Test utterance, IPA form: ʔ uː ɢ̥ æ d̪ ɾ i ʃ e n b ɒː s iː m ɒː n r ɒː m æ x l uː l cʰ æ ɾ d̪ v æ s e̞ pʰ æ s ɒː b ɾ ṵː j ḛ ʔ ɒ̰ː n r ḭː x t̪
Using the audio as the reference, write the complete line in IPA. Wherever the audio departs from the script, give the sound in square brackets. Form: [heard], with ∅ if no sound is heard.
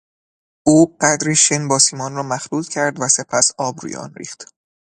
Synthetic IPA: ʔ uː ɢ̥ æ d̪ ɾ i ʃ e n b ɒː s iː m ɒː n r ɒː m æ x l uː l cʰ æ ɾ d̪ v æ s e̞ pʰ æ s ɒː b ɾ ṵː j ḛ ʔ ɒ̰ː n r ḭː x t̪